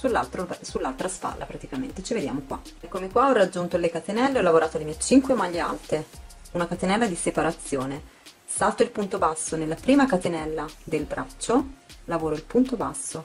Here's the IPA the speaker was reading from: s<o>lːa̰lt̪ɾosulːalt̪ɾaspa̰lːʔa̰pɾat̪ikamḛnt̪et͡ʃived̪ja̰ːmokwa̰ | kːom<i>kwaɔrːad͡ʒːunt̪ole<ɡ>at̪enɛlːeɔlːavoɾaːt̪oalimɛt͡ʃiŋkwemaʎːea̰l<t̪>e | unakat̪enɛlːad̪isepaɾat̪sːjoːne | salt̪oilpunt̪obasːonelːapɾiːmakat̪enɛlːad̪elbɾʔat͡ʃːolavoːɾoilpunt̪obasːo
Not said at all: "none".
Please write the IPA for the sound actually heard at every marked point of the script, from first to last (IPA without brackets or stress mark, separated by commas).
u, e, k, t̪